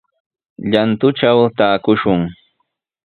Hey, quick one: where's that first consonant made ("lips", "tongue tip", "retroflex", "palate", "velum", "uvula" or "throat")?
palate